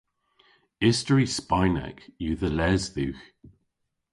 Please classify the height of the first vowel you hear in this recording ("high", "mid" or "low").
high